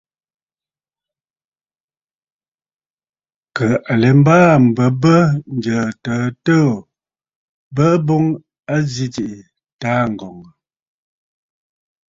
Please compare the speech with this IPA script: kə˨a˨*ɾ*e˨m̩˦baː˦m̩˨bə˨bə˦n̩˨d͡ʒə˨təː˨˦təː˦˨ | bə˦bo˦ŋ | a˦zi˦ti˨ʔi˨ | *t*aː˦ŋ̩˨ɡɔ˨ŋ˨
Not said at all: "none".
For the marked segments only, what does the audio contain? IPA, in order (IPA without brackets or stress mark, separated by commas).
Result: l, t